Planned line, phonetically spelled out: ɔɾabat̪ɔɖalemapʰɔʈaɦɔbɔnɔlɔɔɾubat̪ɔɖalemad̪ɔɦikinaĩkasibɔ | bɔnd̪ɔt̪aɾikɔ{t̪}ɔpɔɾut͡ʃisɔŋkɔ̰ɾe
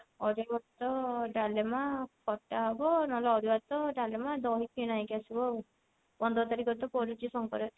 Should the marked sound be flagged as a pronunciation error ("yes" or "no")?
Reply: no